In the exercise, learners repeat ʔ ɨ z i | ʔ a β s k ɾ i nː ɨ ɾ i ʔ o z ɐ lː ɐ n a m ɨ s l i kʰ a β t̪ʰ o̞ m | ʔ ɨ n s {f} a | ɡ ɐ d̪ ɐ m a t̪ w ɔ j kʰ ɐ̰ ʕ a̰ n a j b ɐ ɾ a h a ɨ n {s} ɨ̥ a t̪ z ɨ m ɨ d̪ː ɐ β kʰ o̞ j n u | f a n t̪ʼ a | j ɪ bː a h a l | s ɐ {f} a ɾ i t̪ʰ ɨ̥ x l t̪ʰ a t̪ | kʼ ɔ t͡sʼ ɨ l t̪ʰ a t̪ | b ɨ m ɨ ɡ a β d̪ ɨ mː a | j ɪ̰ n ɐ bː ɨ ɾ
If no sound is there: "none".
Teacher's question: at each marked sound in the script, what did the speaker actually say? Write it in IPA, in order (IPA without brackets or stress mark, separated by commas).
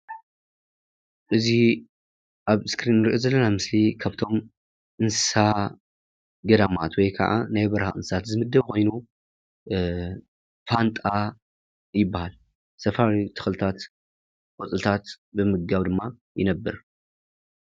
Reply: s, s, f